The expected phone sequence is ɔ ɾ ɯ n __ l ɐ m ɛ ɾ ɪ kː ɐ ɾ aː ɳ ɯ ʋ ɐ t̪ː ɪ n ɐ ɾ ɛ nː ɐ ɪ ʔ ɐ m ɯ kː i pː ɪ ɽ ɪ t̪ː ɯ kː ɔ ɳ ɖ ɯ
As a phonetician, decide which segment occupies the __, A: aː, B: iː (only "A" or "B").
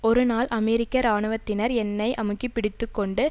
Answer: A